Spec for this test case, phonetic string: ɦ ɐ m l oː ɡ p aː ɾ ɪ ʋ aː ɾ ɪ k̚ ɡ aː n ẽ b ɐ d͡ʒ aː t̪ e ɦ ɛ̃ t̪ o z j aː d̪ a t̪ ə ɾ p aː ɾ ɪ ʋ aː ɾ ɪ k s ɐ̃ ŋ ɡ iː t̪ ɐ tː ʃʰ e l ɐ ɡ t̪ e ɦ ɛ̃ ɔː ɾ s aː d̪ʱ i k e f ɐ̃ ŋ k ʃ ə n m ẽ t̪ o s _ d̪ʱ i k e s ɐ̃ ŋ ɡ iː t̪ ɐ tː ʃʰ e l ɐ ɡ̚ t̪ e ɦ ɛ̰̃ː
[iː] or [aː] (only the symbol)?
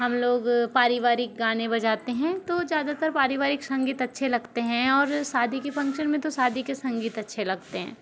aː